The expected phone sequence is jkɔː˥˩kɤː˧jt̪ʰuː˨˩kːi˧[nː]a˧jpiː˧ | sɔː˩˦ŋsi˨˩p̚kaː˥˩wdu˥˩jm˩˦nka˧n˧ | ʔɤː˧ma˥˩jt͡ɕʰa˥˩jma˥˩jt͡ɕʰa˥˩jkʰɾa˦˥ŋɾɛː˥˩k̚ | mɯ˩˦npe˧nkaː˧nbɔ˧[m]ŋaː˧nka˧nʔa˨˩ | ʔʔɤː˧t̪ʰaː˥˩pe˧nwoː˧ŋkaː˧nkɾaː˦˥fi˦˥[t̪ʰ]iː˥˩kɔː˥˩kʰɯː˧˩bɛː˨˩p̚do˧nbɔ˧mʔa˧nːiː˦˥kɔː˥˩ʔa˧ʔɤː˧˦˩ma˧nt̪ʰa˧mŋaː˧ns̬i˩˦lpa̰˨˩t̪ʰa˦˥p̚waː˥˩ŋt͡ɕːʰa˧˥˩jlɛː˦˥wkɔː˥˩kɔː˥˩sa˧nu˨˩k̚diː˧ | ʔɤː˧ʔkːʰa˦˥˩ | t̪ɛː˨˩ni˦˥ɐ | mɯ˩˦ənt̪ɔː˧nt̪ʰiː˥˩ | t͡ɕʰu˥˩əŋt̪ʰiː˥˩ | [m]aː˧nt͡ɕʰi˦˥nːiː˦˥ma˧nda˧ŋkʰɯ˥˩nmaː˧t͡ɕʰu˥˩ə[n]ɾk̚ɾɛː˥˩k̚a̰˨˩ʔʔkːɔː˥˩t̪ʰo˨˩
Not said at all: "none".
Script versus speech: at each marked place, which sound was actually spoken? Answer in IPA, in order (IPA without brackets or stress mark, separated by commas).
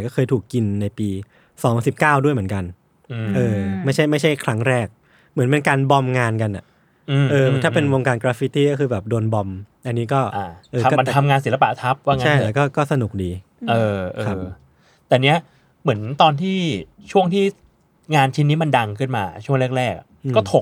nː, m, t̪, ŋ, ŋ